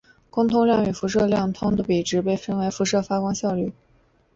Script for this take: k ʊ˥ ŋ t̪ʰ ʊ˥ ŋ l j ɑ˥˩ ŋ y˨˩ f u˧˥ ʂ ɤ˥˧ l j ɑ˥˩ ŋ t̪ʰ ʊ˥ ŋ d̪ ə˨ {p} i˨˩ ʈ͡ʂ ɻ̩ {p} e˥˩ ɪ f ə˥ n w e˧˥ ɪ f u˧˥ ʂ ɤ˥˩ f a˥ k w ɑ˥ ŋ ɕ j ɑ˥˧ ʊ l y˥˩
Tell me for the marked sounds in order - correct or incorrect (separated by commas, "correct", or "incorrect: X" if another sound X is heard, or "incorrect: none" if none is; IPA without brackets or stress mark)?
correct, correct